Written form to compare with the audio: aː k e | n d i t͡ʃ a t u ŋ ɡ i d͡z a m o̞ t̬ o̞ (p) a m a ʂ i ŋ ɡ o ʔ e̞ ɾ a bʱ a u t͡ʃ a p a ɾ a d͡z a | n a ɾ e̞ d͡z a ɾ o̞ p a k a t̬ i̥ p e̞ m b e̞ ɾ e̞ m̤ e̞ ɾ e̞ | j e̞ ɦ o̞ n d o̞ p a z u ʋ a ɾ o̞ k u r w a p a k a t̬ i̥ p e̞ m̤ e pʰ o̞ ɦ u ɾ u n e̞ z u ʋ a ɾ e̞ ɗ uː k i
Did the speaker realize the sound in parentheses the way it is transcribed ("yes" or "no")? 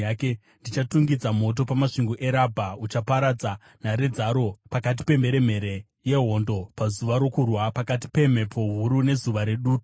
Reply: yes